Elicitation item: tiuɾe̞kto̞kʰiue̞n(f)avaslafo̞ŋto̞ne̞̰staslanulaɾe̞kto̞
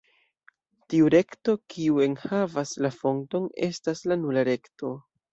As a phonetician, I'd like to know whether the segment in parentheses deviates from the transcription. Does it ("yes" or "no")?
yes